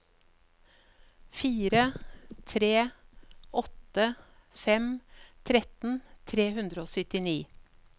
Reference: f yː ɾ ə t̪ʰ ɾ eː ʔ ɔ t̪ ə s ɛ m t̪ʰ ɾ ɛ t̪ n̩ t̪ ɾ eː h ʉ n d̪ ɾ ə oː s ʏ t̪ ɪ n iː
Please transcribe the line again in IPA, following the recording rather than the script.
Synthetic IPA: f iː ɾ ə t̪ʰ ɾ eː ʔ ɔ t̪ ə f ɛ m t̪ʰ ɾ ɛ t̪ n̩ t̪ʰ ɾ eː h ʉ n d̪ ɾ ə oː s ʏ t̪ ɪ n iː